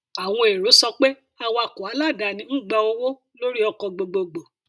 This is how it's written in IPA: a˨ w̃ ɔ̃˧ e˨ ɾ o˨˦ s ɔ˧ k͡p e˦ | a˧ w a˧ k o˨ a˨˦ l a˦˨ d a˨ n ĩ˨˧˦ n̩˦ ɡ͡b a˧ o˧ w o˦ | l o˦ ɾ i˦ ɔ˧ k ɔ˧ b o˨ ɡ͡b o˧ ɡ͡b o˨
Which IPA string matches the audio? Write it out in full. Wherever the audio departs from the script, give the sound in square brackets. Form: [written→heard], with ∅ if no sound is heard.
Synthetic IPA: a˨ w̃ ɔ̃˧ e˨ ɾ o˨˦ s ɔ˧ k͡p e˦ | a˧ w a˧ k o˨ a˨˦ l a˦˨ d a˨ n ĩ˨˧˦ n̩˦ ɡ͡b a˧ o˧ w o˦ | l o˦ ɾ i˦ ɔ˧ k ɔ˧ [b→ɡ͡b] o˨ ɡ͡b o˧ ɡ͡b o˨